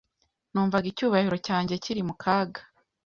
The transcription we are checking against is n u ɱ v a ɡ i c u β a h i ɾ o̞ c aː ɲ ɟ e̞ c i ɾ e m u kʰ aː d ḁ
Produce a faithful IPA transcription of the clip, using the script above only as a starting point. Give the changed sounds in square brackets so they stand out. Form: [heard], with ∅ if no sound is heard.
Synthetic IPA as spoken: n [uː] ɱ v a ɡ i c [uː] β a h i ɾ o̞ c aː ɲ ɟ e̞ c i ɾ [i] m u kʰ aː [ɡ] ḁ